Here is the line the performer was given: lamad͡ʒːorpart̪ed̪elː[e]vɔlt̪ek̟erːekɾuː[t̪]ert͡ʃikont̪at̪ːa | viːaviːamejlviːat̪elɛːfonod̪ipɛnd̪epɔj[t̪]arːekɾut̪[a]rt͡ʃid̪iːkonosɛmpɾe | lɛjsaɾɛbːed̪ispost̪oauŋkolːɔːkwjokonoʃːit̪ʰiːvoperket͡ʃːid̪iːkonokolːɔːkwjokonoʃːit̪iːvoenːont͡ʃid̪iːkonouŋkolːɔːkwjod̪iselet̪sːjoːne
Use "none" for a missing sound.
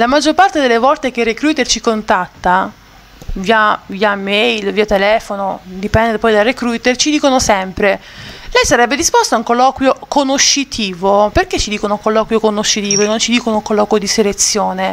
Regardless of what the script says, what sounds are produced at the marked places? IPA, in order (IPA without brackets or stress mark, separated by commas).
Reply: e, t̪, d̪, e